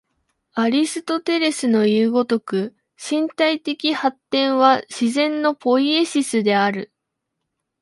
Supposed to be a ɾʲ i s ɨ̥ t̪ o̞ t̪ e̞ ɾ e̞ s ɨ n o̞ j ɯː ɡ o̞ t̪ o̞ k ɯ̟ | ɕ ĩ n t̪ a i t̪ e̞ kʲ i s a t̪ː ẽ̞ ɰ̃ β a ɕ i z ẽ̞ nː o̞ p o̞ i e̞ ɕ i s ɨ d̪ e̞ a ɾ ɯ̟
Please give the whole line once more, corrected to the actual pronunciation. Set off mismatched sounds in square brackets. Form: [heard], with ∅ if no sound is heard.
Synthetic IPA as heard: a ɾʲ i s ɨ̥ t̪ o̞ t̪ e̞ ɾ e̞ s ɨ n o̞ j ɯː ɡ o̞ t̪ o̞ k ɯ̟ | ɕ ĩ n t̪ a i t̪ e̞ kʲ i [h] a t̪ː ẽ̞ ɰ̃ β a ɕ i z ẽ̞ nː o̞ p o̞ i e̞ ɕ i s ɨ d̪ e̞ a ɾ ɯ̟